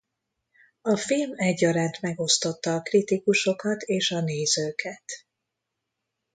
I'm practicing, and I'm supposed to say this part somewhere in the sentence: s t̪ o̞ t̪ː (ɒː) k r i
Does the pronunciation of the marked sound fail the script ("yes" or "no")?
no